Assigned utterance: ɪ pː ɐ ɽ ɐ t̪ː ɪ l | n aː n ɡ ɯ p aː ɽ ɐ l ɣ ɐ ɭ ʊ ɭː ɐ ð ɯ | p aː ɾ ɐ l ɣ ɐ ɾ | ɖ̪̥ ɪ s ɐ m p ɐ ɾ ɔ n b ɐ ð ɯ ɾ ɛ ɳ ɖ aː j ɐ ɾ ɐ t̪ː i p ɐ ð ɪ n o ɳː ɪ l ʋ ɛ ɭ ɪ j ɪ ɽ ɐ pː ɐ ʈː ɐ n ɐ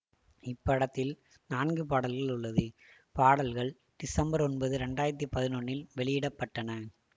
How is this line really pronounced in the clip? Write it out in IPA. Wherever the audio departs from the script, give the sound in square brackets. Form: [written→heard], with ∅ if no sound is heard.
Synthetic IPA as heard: ɪ pː ɐ ɽ ɐ t̪ː ɪ l | n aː n ɡ ɯ p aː ɽ ɐ l ɣ ɐ ɭ ʊ ɭː ɐ ð ɯ | p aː [ɾ→ɽ] ɐ l ɣ ɐ [ɾ→ɭ] | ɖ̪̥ ɪ s ɐ m [p→b] ɐ ɾ ɔ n b ɐ ð ɯ ɾ ɛ ɳ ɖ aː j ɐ ɾ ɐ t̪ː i p ɐ ð ɪ n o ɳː ɪ l ʋ ɛ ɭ ɪ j ɪ ɽ ɐ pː ɐ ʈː ɐ n ɐ